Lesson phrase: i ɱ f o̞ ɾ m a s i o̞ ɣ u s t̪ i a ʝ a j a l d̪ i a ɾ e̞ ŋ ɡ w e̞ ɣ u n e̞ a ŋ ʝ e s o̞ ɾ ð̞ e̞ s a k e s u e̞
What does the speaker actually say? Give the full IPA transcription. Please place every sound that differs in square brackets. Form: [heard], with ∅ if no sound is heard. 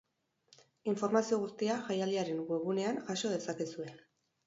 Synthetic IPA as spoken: i ɱ f o̞ ɾ m a s i o̞ ɣ u s t̪ i a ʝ a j a l d̪ i a ɾ e̞ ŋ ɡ w e̞ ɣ u n e̞ a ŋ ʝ [a] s o̞ [∅] ð̞ e̞ s a k e s u e̞